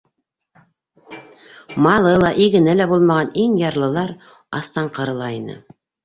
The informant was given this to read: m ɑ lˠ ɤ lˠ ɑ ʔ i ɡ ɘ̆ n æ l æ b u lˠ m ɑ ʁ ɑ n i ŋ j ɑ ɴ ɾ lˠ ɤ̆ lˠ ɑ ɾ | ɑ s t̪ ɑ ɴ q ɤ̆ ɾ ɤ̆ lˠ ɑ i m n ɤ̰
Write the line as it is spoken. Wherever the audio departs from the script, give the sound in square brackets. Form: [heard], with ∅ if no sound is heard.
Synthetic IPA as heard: m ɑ lˠ ɤ lˠ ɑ ʔ i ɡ ɘ̆ n æ l æ b u lˠ m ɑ ʁ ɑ n i ŋ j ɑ [∅] ɾ lˠ ɤ̆ lˠ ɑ ɾ | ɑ s t̪ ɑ ɴ q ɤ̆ ɾ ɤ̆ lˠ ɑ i [∅] n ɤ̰